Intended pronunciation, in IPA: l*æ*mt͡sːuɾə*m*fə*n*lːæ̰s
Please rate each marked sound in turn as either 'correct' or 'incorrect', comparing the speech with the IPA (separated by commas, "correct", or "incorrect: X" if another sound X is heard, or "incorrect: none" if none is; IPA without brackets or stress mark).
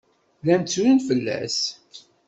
correct, incorrect: n, incorrect: none